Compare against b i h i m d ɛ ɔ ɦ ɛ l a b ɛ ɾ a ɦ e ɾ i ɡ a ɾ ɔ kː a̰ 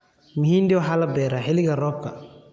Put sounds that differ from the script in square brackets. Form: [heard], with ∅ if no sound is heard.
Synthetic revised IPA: [m] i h i [n] d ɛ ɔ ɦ [a] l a b ɛ ɾ a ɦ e [l] i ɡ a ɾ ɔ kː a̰